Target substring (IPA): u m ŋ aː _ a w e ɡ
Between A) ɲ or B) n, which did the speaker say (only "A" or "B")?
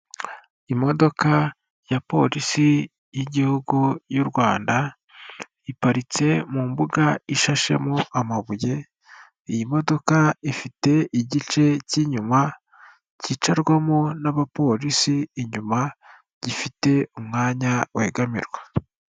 A